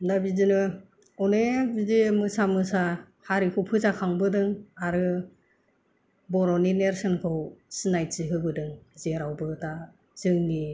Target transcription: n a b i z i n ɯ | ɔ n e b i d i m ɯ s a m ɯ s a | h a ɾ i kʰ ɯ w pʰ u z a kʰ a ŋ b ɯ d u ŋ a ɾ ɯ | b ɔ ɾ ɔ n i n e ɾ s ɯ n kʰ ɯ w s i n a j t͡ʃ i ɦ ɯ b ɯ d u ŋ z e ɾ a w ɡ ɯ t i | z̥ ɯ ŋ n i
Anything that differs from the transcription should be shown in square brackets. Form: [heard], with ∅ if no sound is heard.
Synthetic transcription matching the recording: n a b i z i n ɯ | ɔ n e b i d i m ɯ s a m ɯ s a | h a ɾ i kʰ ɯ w pʰ [ɯ] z a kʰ a ŋ b ɯ d [ɯ] ŋ a ɾ ɯ | b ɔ ɾ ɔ n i n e ɾ s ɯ n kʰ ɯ w s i n a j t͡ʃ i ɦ ɯ b ɯ d [ɯ] ŋ z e ɾ a w [b] ɯ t [a] | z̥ ɯ ŋ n i